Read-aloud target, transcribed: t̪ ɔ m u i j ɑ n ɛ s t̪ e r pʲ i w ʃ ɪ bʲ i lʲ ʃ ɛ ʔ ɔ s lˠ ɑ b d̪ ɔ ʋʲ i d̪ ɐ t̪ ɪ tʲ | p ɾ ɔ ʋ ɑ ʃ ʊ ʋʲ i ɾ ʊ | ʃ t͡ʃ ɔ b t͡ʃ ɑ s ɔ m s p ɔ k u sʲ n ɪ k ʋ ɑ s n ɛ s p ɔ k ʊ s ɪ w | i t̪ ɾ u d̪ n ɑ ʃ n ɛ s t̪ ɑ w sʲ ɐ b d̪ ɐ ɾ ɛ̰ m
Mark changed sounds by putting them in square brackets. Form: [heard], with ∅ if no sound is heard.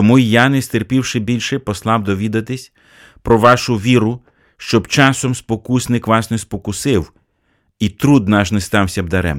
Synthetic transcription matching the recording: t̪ ɔ m u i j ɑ n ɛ s t̪ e r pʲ i w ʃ ɪ bʲ i lʲ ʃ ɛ [p] ɔ s lˠ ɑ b d̪ ɔ ʋʲ i d̪ ɐ t̪ ɪ [sʲ] | p ɾ ɔ ʋ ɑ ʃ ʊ ʋʲ i ɾ ʊ | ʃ t͡ʃ ɔ b t͡ʃ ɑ s ɔ m s p ɔ k u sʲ n ɪ k ʋ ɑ s n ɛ s p ɔ k ʊ s ɪ w | i t̪ ɾ u d̪ n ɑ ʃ n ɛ s t̪ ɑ w sʲ ɐ b d̪ ɐ ɾ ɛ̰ m